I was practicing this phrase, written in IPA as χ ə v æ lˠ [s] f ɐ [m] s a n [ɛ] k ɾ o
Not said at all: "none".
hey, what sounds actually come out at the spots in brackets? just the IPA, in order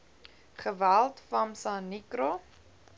t, m, i

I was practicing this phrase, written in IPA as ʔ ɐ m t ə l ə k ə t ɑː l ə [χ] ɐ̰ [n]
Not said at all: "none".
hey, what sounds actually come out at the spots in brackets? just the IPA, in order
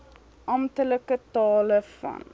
f, n

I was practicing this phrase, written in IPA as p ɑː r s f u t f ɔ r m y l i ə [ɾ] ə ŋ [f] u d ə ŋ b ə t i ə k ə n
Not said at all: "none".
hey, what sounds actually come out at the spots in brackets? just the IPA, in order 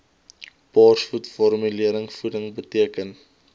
ɾ, f

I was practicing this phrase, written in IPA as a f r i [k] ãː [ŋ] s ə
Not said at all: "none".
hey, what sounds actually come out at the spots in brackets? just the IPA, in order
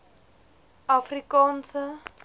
k, n

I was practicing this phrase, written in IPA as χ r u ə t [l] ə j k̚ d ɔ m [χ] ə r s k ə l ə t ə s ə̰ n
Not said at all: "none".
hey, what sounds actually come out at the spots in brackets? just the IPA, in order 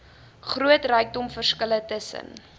r, f

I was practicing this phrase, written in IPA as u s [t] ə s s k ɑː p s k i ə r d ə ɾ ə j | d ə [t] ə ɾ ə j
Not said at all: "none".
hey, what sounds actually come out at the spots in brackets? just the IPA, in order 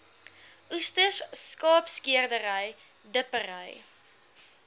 t, p

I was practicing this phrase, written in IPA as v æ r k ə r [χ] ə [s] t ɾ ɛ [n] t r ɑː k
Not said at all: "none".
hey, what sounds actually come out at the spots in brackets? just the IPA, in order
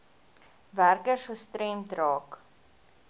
s, s, m

